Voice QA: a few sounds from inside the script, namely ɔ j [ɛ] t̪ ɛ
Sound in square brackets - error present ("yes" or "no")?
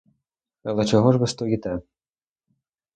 yes